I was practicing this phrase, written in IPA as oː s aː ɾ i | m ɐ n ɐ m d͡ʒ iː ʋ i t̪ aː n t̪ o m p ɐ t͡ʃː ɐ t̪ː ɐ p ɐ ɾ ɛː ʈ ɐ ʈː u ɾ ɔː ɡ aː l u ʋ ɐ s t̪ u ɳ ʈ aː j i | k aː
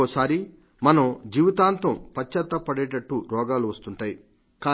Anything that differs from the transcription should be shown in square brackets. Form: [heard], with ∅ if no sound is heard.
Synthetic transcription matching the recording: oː s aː ɾ i | m ɐ n ɐ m d͡ʒ iː ʋ i t̪ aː n t̪ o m p ɐ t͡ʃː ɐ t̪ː ɐ p ɐ [ɽ] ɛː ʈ ɐ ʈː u ɾ ɔː ɡ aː l u ʋ ɐ s t̪ u ɳ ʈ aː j i | k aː